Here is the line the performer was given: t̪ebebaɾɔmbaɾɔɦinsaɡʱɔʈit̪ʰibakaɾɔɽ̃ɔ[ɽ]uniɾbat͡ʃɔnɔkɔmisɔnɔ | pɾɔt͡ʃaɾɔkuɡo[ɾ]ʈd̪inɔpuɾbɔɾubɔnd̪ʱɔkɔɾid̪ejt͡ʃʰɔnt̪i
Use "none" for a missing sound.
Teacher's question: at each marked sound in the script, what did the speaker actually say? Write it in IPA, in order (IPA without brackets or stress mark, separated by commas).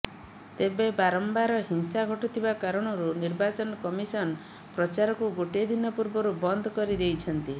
ɾ, none